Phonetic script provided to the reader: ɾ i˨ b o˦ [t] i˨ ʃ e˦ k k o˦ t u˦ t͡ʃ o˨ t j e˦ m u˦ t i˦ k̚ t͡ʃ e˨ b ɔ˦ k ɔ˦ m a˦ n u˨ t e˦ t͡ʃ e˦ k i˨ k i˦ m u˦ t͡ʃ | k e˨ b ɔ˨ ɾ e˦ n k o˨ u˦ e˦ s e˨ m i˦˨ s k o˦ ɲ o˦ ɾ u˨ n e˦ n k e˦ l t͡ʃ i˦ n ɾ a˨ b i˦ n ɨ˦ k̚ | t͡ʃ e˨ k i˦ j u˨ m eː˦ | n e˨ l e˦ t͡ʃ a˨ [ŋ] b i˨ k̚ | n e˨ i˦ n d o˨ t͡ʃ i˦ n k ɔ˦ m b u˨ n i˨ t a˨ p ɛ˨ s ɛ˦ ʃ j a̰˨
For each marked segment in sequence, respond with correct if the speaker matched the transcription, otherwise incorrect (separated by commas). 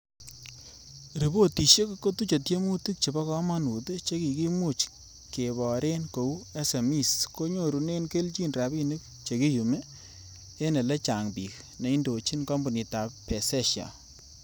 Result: correct, correct